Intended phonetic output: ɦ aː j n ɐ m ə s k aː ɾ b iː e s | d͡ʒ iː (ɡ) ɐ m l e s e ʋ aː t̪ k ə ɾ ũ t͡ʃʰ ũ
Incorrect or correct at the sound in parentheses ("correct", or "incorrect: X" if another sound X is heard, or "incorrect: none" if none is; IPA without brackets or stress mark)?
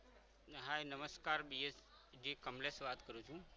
incorrect: k